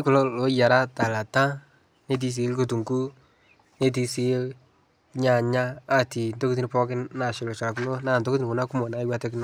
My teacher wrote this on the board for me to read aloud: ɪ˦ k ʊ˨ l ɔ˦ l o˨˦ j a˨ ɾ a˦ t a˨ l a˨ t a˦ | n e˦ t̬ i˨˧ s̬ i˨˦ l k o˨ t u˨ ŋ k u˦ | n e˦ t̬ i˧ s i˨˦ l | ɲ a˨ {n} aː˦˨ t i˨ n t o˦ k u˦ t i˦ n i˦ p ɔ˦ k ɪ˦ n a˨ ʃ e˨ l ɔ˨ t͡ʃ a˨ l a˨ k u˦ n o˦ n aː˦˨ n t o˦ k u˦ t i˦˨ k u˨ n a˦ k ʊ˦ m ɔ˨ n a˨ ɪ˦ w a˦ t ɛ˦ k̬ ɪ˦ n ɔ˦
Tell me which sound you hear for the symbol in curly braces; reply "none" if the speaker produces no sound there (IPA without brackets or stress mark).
ɲ